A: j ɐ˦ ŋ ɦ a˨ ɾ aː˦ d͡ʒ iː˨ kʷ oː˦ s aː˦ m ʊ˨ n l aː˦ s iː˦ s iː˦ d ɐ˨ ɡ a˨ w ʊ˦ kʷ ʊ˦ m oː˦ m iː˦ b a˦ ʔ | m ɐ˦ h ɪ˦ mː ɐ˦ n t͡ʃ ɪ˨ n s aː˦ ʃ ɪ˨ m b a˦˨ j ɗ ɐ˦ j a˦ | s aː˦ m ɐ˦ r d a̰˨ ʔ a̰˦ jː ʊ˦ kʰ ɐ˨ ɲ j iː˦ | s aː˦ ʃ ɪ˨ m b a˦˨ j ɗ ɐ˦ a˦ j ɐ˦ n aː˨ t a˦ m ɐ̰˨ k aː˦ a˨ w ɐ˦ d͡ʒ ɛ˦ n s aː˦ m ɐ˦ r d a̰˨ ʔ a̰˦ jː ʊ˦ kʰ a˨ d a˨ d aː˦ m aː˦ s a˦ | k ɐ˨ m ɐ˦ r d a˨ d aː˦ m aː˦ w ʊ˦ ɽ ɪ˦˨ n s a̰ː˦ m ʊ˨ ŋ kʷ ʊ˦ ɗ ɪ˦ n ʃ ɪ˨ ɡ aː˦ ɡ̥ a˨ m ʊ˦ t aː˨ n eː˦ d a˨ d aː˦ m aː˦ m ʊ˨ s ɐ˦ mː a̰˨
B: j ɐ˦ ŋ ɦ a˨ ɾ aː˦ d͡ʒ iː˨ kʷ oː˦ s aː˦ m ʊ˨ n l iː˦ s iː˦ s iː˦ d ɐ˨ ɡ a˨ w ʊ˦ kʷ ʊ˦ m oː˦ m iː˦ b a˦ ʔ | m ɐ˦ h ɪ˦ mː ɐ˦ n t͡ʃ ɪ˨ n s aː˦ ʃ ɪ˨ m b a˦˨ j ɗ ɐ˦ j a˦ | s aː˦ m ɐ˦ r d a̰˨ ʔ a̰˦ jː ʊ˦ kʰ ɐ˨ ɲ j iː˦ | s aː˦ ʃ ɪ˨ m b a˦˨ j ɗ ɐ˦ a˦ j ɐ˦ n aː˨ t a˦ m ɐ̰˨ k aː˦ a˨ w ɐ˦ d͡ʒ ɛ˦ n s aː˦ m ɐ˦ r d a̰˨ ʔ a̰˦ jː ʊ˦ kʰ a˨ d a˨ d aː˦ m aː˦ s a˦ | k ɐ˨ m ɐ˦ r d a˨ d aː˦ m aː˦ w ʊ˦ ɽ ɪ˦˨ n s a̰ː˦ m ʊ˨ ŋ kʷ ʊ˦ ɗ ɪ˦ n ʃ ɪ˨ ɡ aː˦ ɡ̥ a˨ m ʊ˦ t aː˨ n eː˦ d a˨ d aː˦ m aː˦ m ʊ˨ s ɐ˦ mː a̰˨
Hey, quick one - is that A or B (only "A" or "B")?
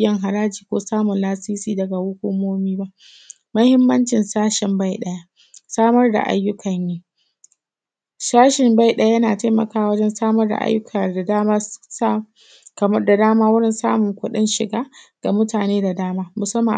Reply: A